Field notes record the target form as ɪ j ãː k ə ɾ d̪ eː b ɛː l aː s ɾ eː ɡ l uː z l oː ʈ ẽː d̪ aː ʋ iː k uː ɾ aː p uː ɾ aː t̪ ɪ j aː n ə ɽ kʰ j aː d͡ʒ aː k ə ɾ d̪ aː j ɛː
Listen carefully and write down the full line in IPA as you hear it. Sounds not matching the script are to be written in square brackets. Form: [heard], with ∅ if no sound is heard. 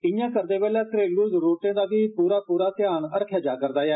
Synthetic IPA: ɪ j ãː k ə ɾ d̪ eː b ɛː l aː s ɾ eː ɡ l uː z [ɾ] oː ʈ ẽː d̪ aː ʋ iː [p] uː ɾ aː p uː ɾ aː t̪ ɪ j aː n ə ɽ kʰ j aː d͡ʒ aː k ə ɾ d̪ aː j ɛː

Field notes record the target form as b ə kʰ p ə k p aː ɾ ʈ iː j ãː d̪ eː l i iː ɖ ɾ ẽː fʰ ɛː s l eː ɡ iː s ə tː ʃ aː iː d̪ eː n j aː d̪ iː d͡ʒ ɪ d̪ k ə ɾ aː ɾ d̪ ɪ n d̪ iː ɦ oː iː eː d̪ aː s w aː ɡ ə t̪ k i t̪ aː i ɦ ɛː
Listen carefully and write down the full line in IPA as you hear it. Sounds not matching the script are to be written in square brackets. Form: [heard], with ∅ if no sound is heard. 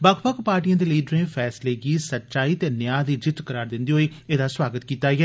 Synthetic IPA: b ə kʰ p ə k p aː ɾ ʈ [i] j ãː d̪ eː l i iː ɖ ɾ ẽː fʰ ɛː s l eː ɡ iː s ə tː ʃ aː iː [t̪] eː n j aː d̪ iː d͡ʒ ɪ [t̪] k ə ɾ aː ɾ d̪ ɪ n d̪ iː ɦ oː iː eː d̪ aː s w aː ɡ ə t̪ k [iː] t̪ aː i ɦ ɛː

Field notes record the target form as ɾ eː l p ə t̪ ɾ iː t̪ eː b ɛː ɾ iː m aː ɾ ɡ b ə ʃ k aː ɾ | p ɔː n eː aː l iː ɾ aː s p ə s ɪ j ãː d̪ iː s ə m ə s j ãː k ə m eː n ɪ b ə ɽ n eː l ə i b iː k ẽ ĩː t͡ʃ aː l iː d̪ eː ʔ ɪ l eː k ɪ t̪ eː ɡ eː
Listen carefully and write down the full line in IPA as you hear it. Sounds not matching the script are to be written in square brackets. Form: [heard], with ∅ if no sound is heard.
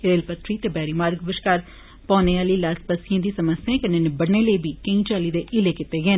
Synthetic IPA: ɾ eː l p ə t̪ ɾ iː t̪ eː b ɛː ɾ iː m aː ɾ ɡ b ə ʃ k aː ɾ | p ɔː n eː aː l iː [l] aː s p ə s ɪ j ãː d̪ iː s ə m ə s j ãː k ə [n] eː n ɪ b ə ɽ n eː l ə i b iː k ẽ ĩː t͡ʃ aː l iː d̪ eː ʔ ɪ l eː k ɪ t̪ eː ɡ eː

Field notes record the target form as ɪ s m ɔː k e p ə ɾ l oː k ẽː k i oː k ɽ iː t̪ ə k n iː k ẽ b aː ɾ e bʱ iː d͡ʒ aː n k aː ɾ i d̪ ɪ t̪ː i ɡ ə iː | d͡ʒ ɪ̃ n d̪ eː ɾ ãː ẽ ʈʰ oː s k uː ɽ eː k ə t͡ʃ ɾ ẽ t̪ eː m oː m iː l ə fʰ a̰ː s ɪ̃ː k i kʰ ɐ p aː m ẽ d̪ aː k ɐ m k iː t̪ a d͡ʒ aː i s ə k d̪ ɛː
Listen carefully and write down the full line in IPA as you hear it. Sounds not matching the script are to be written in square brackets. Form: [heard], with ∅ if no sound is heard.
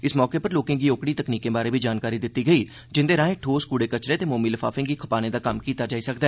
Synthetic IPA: ɪ s m ɔː k e p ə ɾ l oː k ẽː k i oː k ɽ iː t̪ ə k n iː k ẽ b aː ɾ e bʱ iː d͡ʒ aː n k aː ɾ i d̪ ɪ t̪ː i ɡ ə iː | d͡ʒ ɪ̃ n d̪ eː ɾ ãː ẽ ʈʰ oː s k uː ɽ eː k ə t͡ʃ ɾ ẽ t̪ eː m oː m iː l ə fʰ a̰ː [f] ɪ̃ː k i kʰ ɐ p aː [n] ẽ d̪ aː k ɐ m k iː t̪ a d͡ʒ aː i s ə k d̪ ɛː

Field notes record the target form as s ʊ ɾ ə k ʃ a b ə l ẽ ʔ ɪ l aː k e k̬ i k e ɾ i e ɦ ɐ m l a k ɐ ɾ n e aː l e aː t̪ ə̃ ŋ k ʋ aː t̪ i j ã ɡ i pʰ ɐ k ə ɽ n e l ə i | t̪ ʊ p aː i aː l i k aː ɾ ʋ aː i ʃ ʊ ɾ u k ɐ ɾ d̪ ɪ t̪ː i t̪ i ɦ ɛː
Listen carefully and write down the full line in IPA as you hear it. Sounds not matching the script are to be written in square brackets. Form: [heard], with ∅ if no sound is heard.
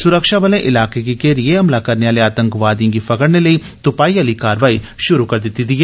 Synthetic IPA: s ʊ ɾ ə k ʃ a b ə l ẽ ʔ ɪ l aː k e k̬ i k e ɾ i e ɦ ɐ m l a k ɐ ɾ n e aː l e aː t̪ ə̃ ŋ k ʋ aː [d̪] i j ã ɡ i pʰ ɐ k ə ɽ n e l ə i | t̪ ʊ p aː i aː l i k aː ɾ ʋ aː i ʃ ʊ ɾ u k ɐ ɾ d̪ ɪ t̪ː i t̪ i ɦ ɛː

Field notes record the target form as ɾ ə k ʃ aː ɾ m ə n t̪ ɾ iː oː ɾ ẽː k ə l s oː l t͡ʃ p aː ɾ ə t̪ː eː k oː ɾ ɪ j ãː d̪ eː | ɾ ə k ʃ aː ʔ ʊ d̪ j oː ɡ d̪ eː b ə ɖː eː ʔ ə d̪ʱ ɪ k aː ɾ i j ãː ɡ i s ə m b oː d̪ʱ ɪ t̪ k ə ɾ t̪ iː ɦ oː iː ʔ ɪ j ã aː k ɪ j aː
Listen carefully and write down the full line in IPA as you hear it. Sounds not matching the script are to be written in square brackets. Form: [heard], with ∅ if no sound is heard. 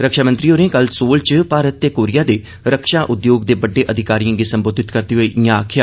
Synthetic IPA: ɾ ə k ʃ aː [∅] m ə n t̪ ɾ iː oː ɾ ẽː k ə l s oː l t͡ʃ p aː ɾ ə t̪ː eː k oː ɾ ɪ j [aː] d̪ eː | ɾ ə k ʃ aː ʔ ʊ d̪ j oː ɡ d̪ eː b ə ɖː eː ʔ ə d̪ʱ ɪ k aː ɾ i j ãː ɡ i s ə m b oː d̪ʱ ɪ t̪ k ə ɾ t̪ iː ɦ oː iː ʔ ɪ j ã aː [kʰ] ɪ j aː

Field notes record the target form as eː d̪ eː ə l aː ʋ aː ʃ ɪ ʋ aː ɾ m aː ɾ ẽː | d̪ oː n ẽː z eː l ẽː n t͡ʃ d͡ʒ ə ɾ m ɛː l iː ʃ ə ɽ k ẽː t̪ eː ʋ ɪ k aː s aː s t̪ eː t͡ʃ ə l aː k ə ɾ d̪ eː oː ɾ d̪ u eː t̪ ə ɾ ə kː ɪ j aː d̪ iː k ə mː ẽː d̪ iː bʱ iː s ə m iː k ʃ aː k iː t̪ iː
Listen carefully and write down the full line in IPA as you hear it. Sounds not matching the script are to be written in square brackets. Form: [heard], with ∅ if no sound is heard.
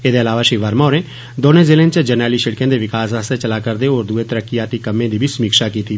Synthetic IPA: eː d̪ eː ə l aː ʋ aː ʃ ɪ ʋ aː ɾ m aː ɾ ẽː | d̪ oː n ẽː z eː l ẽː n t͡ʃ d͡ʒ ə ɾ [n] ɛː l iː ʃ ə ɽ k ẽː [d̪] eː ʋ ɪ k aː s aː s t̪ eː t͡ʃ ə l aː k ə ɾ d̪ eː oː ɾ d̪ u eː t̪ ə ɾ ə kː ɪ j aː [t̪] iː k ə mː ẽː d̪ iː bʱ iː s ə m iː k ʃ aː k iː t̪ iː

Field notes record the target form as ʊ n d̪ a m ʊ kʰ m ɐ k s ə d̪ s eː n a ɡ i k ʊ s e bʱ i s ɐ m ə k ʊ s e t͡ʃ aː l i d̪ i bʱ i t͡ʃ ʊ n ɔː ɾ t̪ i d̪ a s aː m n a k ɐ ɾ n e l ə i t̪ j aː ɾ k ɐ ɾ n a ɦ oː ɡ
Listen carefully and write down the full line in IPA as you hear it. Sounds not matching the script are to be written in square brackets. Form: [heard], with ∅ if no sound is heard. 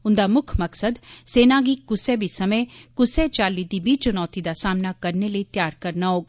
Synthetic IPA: ʊ n d̪ a m ʊ kʰ m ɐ k s ə d̪ s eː n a ɡ i k ʊ s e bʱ i s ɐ m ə k ʊ s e t͡ʃ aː l i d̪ i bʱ i t͡ʃ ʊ n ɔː [∅] t̪ i d̪ a s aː m n a k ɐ ɾ n e l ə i t̪ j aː ɾ k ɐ ɾ n a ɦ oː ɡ

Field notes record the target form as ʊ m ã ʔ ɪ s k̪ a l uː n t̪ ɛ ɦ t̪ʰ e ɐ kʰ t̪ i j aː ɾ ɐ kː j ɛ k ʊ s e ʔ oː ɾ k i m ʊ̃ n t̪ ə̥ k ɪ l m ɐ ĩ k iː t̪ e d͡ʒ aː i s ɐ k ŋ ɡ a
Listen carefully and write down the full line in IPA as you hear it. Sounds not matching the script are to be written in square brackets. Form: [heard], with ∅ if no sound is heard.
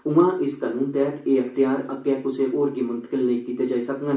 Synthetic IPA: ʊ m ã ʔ ɪ s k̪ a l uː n t̪ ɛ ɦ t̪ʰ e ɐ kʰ t̪ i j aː ɾ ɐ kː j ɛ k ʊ s e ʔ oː ɾ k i m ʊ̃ n t̪ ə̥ k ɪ l [n] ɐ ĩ k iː t̪ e d͡ʒ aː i s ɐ k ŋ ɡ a

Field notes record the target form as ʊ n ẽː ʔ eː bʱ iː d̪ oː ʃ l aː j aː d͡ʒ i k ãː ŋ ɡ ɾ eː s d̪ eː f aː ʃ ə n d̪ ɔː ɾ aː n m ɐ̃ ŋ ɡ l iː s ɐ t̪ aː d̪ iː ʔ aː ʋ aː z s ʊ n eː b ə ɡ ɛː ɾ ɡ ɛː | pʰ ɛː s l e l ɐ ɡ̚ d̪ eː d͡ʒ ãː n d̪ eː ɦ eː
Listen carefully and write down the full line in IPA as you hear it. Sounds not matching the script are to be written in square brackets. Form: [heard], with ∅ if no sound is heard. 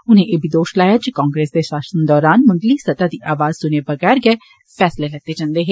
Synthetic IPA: ʊ n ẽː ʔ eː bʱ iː d̪ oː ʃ l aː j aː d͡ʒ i k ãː ŋ ɡ ɾ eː s d̪ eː [ʃ] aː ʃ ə n d̪ ɔː ɾ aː n m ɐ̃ ŋ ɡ l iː s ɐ t̪ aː d̪ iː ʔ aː ʋ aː z s ʊ n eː b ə ɡ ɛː ɾ ɡ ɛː | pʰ ɛː s l e l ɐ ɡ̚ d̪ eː d͡ʒ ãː n d̪ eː ɦ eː

